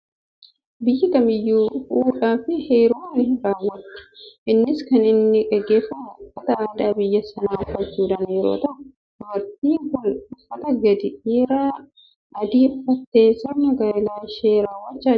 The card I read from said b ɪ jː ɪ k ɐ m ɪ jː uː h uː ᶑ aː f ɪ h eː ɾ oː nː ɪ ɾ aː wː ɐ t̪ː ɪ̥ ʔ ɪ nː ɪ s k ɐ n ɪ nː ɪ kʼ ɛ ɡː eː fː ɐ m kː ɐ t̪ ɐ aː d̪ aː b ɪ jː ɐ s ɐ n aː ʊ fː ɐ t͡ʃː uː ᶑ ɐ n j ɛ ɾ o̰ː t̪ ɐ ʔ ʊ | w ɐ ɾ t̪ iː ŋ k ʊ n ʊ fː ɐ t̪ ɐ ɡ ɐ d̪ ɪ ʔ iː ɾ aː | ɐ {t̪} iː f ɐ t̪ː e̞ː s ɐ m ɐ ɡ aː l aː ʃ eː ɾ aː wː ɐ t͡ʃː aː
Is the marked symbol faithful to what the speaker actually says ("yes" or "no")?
no